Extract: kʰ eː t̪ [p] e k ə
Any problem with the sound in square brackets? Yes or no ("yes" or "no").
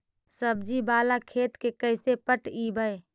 yes